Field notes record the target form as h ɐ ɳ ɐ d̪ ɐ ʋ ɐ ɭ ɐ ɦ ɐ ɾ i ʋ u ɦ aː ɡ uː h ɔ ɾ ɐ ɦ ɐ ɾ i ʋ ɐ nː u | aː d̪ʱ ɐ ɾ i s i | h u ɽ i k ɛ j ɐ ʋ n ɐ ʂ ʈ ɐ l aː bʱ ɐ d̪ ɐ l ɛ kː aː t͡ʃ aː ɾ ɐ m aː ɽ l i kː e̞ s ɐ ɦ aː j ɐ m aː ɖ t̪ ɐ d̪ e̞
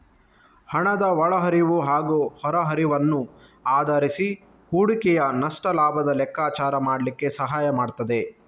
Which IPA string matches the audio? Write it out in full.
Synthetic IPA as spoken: h ɐ ɳ ɐ d̪ ɐ ʋ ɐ ɭ ɐ ɦ ɐ ɾ i ʋ u ɦ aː ɡ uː h ɔ ɾ ɐ ɦ ɐ ɾ i ʋ ɐ nː u | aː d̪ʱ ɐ ɾ i s i | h uː ɽ i k ɛ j ɐ n ɐ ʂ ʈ ɐ l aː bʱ ɐ d̪ ɐ l ɛ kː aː t͡ʃ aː ɾ ɐ m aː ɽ l i kː e̞ s ɐ ɦ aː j ɐ m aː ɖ t̪ ɐ d̪ e̞